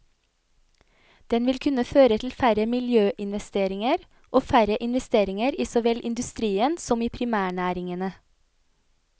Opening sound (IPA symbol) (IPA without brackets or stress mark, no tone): d̪̥